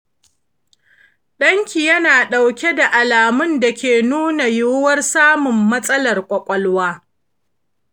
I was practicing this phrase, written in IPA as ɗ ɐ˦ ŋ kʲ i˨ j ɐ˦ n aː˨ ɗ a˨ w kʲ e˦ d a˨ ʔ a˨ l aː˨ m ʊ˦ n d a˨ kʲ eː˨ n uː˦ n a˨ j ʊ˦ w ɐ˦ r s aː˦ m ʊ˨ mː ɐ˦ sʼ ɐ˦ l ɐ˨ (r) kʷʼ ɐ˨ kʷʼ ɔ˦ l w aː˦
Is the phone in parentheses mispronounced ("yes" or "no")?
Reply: no